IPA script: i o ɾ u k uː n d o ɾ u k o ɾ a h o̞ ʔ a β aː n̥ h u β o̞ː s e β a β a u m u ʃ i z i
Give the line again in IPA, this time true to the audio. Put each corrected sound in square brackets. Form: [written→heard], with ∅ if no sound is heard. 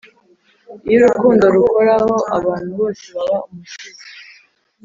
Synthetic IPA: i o ɾ u k uː n d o ɾ u k o ɾ a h o̞ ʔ a β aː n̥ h u β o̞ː s e β a β a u m u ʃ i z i